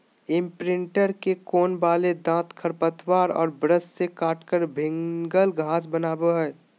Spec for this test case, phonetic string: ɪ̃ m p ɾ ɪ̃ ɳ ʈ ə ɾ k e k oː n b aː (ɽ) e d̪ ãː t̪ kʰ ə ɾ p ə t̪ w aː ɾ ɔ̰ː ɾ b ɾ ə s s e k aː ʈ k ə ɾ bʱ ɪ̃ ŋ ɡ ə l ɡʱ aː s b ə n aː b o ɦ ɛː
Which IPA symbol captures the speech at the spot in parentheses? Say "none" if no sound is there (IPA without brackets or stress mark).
l